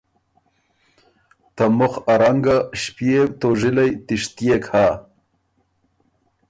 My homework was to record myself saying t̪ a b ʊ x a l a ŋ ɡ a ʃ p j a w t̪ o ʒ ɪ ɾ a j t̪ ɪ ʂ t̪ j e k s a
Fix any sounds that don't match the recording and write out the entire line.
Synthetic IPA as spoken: t̪ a m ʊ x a ɾ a ŋ ɡ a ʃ p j e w t̪ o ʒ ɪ l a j t̪ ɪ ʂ t̪ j e k h a